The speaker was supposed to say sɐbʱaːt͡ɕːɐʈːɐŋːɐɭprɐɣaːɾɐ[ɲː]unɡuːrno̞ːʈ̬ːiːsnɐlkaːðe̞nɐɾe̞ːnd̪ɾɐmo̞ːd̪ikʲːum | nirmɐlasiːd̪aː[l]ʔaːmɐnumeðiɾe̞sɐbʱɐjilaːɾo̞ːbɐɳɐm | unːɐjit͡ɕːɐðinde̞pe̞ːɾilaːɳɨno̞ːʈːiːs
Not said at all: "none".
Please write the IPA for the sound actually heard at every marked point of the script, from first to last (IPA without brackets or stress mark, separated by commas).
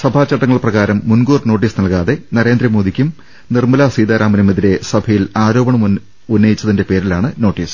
mː, ɾ